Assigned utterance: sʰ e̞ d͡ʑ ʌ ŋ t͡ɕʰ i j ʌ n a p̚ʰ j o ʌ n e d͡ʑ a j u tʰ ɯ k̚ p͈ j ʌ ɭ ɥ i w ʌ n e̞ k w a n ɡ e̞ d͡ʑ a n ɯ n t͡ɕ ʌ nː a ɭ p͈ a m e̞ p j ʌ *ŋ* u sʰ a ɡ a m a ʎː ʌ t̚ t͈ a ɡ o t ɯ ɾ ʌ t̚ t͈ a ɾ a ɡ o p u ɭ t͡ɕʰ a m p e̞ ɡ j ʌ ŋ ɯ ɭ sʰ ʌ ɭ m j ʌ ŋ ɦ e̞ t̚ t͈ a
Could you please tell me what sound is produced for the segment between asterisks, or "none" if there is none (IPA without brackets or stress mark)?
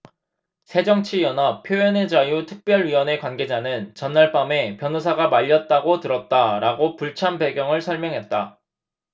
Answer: n